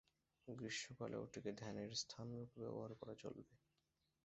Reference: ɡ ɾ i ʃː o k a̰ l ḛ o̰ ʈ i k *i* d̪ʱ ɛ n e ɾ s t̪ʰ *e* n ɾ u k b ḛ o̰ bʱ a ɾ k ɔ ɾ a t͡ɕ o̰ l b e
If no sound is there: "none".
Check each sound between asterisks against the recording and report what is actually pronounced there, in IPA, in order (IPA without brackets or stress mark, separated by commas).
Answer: e, a